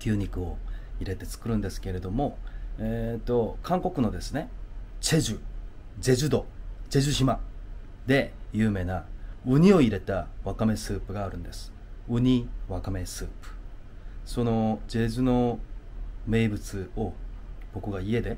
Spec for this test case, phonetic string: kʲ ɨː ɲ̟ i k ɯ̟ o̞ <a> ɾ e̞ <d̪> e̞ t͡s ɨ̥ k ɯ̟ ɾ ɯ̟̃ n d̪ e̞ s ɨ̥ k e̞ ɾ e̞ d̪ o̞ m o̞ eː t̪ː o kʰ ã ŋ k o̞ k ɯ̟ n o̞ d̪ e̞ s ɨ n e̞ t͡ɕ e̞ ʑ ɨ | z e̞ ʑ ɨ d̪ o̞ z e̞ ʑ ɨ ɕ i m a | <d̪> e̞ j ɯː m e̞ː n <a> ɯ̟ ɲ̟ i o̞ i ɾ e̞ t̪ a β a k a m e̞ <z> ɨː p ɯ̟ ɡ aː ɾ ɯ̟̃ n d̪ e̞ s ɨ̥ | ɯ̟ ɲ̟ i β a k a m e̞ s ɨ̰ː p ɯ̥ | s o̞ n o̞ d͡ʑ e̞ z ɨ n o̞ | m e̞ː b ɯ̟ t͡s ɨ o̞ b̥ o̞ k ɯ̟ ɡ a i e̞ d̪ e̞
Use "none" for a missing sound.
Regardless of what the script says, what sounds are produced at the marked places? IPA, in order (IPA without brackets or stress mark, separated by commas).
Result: i, t̪, d̪, a, s